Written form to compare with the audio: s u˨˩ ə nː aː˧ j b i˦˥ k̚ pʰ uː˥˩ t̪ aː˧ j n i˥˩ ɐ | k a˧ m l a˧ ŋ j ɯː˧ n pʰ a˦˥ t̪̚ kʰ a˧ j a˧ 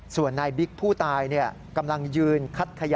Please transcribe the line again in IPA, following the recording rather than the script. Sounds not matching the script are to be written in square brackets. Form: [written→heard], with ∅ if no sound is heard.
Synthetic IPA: s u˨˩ ə nː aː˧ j b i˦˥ k̚ pʰ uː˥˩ t̪ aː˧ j n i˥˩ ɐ | k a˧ m l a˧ ŋ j ɯː˧ n [pʰ→kʰ] a˦˥ t̪̚ kʰ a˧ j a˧